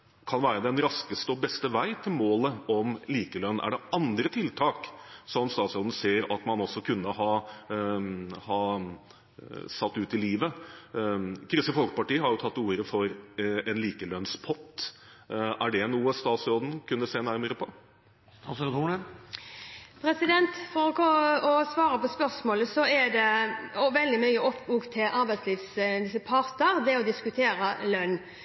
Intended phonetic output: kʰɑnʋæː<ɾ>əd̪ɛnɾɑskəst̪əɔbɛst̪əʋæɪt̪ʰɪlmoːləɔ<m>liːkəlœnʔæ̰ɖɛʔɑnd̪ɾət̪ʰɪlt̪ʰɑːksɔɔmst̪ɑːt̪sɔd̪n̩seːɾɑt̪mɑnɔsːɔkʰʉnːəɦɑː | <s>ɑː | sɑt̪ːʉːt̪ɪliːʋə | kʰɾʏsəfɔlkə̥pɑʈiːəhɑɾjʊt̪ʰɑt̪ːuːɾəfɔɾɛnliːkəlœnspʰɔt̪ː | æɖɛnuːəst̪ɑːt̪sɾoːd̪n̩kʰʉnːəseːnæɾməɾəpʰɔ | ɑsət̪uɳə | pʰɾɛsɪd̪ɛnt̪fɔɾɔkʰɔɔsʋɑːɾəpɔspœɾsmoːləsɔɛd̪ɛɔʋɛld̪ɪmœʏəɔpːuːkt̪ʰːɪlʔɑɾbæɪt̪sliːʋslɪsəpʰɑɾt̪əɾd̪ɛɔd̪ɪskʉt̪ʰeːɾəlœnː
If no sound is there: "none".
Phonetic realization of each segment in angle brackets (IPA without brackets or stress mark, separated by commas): ɾ, m, h